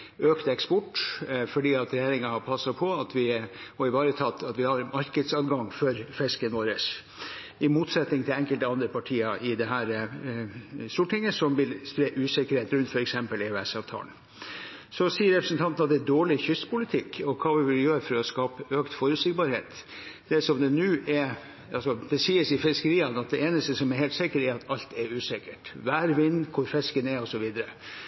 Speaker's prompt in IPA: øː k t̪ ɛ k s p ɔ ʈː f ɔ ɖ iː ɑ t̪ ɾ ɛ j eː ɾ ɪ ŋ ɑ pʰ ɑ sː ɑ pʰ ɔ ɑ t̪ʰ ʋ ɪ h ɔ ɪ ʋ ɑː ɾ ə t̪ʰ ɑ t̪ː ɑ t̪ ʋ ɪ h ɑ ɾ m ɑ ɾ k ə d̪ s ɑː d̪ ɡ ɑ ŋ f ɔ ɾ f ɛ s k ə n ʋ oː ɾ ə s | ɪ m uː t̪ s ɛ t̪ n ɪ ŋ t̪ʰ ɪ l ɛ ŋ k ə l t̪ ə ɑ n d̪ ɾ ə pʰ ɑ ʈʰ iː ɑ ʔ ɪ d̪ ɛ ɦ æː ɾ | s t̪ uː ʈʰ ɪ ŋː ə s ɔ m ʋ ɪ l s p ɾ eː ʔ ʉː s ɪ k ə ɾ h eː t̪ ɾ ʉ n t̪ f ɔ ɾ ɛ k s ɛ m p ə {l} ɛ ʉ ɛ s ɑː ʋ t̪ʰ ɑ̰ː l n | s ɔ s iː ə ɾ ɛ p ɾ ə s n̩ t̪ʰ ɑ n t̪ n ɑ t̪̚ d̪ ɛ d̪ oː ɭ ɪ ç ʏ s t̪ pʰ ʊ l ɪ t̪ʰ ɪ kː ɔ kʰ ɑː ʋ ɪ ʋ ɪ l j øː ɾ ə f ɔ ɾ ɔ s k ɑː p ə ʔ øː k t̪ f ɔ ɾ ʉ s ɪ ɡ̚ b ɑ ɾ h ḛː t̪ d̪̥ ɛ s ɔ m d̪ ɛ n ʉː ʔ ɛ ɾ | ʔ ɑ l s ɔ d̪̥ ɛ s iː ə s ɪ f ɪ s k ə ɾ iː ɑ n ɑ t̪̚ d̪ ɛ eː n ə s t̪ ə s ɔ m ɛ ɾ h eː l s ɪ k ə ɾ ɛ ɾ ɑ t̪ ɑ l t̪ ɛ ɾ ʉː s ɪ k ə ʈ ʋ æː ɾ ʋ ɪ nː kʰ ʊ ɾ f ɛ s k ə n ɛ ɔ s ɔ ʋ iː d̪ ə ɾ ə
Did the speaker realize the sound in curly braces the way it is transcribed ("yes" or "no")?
yes